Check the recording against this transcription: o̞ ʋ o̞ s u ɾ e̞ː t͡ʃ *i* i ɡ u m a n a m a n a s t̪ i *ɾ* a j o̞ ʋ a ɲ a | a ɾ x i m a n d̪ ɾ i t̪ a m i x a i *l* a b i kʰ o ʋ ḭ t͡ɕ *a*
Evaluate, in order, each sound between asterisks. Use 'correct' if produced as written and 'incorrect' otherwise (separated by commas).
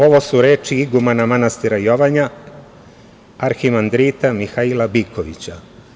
correct, correct, correct, correct